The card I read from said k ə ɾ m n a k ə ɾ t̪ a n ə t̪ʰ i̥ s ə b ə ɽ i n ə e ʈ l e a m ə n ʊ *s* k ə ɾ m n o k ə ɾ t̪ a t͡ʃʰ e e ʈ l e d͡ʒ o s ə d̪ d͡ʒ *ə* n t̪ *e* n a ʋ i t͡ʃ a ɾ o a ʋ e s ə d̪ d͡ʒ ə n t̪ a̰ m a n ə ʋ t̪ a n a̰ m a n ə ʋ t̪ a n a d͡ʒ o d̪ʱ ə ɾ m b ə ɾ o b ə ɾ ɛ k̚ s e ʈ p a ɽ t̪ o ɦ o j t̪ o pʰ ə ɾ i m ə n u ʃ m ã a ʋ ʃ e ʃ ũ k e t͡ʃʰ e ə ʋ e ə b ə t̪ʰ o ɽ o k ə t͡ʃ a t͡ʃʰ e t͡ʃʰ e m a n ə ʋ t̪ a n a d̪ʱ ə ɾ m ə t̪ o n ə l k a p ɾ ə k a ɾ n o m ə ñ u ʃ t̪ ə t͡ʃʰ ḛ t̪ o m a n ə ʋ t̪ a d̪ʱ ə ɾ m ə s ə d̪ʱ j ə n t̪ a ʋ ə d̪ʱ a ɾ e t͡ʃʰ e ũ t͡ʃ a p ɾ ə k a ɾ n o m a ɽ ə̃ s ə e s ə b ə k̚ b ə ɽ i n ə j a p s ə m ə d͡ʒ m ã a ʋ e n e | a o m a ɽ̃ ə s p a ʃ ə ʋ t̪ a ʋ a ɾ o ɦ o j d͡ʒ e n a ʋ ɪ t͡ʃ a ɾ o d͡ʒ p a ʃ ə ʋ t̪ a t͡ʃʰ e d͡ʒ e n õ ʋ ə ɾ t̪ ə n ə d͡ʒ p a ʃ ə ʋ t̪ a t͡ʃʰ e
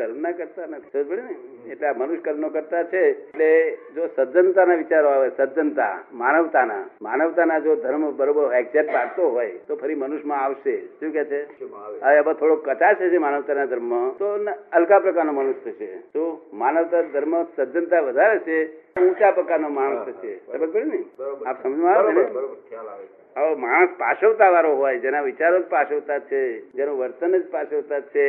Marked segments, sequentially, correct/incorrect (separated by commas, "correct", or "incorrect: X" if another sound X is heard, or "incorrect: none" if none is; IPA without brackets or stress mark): incorrect: ʃ, correct, incorrect: a